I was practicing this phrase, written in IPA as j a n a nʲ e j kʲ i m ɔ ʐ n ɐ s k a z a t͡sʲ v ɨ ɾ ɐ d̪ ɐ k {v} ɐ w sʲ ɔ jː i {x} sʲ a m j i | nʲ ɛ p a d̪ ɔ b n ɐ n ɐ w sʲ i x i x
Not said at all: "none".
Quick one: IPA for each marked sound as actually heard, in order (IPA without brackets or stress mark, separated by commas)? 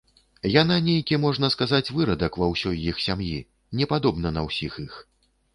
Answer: v, x